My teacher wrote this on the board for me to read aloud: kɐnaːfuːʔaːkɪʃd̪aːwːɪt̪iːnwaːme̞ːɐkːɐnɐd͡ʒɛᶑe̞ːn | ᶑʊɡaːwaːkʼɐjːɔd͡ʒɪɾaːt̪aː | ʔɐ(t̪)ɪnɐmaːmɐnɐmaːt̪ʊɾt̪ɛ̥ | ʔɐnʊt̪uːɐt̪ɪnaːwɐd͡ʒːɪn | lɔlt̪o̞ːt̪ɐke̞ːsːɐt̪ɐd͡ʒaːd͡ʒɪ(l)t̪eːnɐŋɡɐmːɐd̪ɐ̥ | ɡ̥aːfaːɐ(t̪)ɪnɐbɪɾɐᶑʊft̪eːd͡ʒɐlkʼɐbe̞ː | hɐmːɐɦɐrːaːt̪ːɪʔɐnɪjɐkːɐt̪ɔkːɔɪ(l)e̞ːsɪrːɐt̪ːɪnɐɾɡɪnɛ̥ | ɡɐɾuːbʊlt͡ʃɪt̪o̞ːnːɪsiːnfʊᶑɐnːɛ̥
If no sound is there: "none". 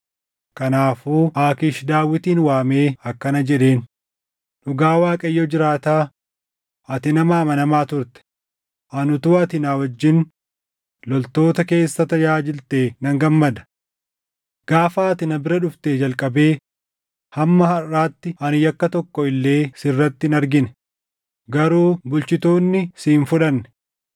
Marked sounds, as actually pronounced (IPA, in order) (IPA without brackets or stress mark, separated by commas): t̪, l, t̪, lː